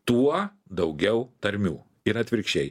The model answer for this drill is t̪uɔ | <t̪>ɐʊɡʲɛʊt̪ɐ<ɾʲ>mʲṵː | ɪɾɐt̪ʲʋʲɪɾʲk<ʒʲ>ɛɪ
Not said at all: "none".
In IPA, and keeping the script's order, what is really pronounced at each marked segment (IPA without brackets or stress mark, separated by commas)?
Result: d̪, ɾʲ, ʃʲ